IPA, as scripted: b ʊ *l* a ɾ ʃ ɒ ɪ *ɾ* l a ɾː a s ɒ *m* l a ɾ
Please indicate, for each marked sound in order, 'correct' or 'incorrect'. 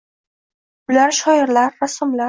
correct, correct, correct

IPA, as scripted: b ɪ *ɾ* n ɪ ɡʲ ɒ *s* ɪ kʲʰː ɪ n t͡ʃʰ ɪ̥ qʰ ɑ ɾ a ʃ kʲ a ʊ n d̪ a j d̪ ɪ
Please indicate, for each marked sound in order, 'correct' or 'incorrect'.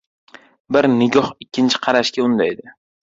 correct, incorrect: h

